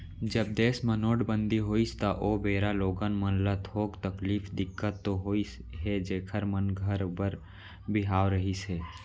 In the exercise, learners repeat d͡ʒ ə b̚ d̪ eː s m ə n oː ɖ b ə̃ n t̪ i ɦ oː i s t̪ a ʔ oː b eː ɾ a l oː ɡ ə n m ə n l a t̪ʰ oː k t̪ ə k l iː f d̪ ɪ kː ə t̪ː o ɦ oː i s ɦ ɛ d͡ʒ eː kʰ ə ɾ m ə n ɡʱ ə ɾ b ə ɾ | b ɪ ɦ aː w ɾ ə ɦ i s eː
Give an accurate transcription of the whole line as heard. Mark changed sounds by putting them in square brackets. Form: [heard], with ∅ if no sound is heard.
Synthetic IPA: d͡ʒ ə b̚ d̪ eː s m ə n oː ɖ b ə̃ n [d̪] i ɦ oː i s t̪ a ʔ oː b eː ɾ a l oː ɡ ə n m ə n l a t̪ʰ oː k t̪ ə k l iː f d̪ ɪ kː ə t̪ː o ɦ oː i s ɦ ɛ d͡ʒ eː kʰ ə ɾ m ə n ɡʱ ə ɾ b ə ɾ | b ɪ ɦ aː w ɾ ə ɦ i s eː